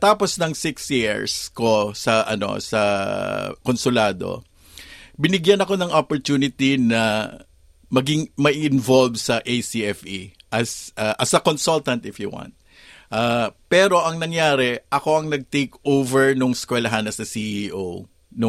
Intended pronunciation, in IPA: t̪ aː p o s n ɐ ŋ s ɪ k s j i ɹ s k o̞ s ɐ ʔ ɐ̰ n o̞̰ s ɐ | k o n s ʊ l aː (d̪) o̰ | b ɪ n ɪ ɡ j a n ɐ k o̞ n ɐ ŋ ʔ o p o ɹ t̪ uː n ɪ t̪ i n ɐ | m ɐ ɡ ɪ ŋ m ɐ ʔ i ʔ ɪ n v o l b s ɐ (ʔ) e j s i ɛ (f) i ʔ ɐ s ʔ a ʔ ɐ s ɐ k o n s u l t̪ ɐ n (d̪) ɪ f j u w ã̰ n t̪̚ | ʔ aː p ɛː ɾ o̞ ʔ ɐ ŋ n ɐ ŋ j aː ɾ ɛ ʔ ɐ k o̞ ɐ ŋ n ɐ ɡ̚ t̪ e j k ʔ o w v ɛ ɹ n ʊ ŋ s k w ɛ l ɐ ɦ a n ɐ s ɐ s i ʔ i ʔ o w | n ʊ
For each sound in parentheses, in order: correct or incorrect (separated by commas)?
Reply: correct, correct, correct, incorrect